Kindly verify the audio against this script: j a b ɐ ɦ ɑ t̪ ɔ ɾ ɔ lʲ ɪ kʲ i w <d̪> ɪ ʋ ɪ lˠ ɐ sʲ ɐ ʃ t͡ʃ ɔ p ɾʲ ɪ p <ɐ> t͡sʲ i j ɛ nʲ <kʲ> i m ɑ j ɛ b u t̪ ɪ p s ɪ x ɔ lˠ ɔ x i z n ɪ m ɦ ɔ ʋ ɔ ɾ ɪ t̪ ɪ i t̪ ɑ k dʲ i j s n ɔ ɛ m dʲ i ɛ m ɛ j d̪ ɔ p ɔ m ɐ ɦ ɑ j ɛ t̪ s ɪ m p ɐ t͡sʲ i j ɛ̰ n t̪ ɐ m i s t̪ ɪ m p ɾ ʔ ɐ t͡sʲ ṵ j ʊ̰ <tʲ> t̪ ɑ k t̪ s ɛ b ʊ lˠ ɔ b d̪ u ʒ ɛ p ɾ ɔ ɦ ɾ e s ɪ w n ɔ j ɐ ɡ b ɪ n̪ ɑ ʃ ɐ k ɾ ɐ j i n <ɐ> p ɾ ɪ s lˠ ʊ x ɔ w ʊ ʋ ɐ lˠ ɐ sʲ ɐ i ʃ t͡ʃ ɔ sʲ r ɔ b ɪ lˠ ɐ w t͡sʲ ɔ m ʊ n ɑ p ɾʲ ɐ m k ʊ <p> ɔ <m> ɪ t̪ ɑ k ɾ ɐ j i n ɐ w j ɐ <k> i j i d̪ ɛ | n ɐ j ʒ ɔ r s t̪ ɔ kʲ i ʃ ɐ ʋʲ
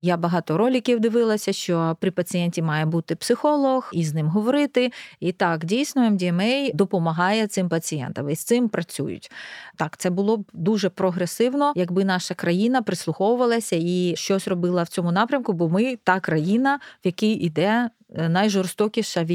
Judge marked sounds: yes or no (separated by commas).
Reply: yes, yes, no, yes, yes, no, yes, yes